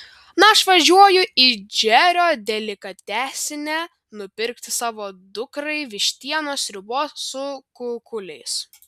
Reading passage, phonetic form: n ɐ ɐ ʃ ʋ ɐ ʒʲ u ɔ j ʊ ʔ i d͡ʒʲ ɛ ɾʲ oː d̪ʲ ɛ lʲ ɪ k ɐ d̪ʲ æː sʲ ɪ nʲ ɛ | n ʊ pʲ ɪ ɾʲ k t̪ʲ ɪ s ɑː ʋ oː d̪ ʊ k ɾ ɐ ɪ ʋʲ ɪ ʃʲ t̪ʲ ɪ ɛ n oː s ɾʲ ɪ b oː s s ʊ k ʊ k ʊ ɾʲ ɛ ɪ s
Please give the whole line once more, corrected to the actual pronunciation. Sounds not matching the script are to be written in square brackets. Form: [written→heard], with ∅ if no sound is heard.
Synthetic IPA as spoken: n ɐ ɐ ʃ ʋ ɐ ʒʲ u ɔ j ʊ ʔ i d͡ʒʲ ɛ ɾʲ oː d̪ʲ ɛ lʲ ɪ k ɐ [d̪ʲ→t̪ʲ] æː sʲ ɪ nʲ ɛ | n ʊ pʲ ɪ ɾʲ k t̪ʲ ɪ s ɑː ʋ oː d̪ ʊ k ɾ ɐ ɪ ʋʲ ɪ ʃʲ t̪ʲ [ɪ→i] ɛ n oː s ɾʲ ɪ b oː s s ʊ k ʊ k ʊ [ɾʲ→lʲ] ɛ ɪ s